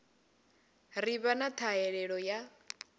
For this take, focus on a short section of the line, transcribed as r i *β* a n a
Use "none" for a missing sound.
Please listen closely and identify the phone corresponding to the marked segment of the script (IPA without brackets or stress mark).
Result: β